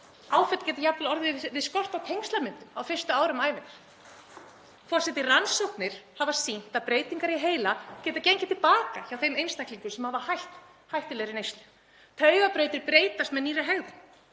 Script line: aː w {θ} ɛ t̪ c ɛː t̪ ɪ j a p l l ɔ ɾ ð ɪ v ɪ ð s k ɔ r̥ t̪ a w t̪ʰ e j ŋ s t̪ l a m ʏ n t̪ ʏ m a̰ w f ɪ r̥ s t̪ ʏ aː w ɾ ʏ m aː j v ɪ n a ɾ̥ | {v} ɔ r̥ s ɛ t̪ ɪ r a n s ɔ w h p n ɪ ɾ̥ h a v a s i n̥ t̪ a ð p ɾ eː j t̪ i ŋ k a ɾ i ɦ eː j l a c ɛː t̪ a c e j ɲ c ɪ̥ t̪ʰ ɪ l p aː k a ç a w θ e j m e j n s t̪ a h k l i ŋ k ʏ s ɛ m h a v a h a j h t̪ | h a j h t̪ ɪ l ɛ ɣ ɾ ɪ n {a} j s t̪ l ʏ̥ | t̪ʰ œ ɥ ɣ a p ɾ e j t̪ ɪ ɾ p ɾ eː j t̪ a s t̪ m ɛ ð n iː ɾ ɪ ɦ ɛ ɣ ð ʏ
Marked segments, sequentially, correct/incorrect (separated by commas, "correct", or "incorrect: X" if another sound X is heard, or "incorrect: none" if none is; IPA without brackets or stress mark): incorrect: f, incorrect: f, incorrect: e